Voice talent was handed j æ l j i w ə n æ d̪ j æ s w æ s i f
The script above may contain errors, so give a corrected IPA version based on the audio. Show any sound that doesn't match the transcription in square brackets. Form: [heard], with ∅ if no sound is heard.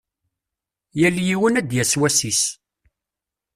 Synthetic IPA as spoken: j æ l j i w ə n æ d̪ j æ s w æ s i [s]